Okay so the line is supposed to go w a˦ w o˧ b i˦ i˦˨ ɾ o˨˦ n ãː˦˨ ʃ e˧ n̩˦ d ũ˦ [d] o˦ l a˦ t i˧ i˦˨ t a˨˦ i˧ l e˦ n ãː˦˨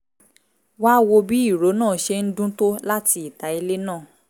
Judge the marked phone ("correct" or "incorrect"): incorrect